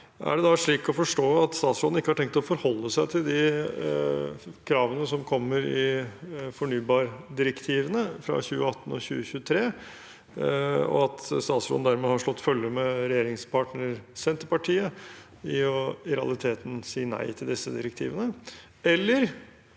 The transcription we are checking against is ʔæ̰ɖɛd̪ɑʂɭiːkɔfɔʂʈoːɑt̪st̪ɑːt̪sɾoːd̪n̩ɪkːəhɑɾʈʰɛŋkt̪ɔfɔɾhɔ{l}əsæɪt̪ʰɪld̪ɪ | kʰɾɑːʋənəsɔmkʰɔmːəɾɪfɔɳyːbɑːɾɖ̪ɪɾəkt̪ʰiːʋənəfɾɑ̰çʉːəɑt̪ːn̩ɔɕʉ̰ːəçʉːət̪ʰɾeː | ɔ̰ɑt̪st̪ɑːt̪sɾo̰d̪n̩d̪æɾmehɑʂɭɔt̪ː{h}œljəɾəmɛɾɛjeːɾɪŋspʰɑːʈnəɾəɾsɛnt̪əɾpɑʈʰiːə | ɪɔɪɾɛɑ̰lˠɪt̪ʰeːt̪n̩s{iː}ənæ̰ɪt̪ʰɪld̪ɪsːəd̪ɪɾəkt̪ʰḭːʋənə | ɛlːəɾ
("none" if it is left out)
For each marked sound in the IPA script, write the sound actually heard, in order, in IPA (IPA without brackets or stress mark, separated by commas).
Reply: lː, f, iː